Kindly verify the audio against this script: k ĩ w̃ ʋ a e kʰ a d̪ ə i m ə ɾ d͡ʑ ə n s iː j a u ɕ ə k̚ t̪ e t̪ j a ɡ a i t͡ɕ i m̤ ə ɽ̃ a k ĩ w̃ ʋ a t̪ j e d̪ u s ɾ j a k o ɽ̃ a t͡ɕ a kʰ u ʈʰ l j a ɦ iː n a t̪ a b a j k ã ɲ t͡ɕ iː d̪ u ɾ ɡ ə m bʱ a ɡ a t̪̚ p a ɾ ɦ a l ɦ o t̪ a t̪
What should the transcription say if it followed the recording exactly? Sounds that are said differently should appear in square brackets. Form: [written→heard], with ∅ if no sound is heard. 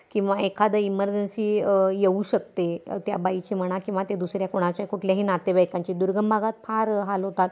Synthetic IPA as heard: k ĩ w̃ ʋ a e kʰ a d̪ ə i m ə ɾ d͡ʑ ə n s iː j [a→e] u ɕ ə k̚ t̪ e t̪ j a [ɡ→b] a i t͡ɕ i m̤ ə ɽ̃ a k ĩ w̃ ʋ a t̪ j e d̪ u s ɾ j a k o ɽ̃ a t͡ɕ a [kʰ→k] u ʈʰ l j a ɦ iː n a t̪ [a→e] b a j k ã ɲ t͡ɕ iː d̪ u ɾ ɡ ə m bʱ a ɡ a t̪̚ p a ɾ ɦ a l ɦ o t̪ a t̪

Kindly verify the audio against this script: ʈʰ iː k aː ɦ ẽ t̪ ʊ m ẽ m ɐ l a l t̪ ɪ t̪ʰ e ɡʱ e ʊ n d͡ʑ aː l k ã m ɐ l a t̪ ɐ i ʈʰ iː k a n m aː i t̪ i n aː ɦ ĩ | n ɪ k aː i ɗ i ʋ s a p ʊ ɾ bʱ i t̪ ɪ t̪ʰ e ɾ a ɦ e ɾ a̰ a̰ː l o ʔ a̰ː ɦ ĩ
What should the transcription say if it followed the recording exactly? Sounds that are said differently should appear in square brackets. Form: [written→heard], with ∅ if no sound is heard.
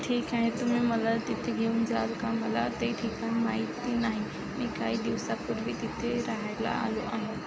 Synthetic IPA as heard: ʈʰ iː k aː ɦ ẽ t̪ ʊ m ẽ m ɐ l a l t̪ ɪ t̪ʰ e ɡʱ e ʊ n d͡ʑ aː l k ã m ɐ l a t̪ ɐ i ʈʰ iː k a n m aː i t̪ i n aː ɦ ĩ | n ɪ k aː i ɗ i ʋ s a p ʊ ɾ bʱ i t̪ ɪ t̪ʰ e ɾ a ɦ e [ɾ→l] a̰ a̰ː l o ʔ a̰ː ɦ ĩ

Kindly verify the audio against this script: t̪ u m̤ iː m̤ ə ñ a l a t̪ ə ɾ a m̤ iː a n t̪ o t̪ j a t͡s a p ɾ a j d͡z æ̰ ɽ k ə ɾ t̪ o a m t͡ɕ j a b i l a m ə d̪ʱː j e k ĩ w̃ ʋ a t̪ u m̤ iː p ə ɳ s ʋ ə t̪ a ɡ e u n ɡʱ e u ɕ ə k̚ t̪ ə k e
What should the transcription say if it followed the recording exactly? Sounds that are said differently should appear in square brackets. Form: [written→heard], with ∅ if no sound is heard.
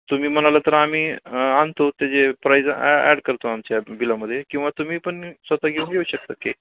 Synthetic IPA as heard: t̪ u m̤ iː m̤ ə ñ a l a t̪ ə ɾ a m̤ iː a n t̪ o t̪ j a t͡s [a→e] p ɾ a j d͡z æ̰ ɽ k ə ɾ t̪ o a m t͡ɕ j a b i l a m ə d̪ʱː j e k ĩ w̃ ʋ a t̪ u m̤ iː p ə ɳ s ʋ ə t̪ a ɡ e u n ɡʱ e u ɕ ə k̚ t̪ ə k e

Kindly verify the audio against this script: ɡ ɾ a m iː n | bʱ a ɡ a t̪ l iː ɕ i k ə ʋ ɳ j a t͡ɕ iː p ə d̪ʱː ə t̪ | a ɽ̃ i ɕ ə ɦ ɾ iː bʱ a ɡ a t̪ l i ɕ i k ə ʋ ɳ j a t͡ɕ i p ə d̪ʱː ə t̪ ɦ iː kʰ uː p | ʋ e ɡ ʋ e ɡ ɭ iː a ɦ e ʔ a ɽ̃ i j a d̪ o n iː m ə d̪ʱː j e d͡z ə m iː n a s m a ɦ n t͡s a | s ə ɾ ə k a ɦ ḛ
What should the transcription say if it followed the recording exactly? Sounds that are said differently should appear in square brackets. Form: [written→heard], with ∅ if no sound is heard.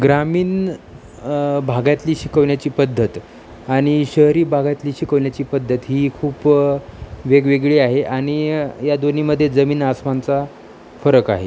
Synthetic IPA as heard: ɡ ɾ a m iː n | bʱ a ɡ a t̪ l iː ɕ i k ə ʋ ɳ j a t͡ɕ iː p ə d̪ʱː ə t̪ | a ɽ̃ i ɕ ə ɦ ɾ iː bʱ a ɡ a t̪ l [i→iː] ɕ i k ə ʋ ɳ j a t͡ɕ [i→iː] p ə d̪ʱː ə t̪ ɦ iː kʰ uː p | ʋ e ɡ ʋ e ɡ ɭ iː a ɦ e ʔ a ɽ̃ i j a d̪ o n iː m ə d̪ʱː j e d͡z ə m iː n a s m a [ɦ→∅] n t͡s a | [s→f] ə ɾ ə k a ɦ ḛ

